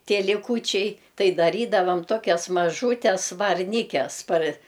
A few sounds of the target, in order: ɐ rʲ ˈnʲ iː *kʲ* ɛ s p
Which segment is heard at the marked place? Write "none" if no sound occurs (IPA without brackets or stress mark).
kʲ